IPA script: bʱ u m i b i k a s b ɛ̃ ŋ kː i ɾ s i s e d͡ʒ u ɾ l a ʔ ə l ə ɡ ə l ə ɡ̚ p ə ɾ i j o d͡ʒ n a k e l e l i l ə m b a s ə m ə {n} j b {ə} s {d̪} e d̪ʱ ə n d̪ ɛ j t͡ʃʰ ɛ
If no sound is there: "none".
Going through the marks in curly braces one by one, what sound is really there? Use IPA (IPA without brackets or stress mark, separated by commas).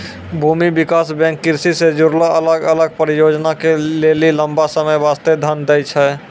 none, a, t̪